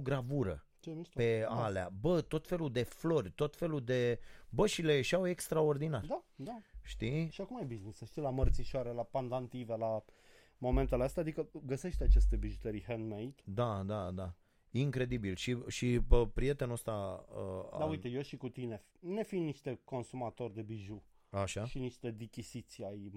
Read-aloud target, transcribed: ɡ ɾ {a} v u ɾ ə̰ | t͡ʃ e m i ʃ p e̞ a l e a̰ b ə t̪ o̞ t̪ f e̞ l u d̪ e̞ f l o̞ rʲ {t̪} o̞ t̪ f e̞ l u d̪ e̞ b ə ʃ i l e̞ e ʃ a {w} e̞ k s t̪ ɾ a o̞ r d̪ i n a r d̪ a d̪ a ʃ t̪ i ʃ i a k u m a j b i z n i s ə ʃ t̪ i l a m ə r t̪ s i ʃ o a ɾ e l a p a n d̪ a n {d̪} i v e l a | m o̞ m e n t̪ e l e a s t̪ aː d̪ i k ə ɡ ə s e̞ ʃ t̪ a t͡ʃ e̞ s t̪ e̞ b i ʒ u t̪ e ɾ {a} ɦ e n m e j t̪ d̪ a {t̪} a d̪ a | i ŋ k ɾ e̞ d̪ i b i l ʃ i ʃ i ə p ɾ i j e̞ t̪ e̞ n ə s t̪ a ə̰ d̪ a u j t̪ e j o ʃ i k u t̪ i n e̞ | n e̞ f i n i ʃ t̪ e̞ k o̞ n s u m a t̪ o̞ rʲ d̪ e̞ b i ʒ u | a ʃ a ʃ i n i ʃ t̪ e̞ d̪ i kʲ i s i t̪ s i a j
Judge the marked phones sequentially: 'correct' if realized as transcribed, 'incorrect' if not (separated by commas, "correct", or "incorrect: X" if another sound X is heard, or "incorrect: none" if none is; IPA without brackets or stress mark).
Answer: correct, correct, correct, incorrect: t̪, incorrect: i, incorrect: d̪